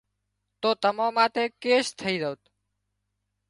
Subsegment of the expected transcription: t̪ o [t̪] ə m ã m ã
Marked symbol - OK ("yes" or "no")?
yes